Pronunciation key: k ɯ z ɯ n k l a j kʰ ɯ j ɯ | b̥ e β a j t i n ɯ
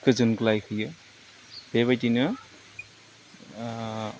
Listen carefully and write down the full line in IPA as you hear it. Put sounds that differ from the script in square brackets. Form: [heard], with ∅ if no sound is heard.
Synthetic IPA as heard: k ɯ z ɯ n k l a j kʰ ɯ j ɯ | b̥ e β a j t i n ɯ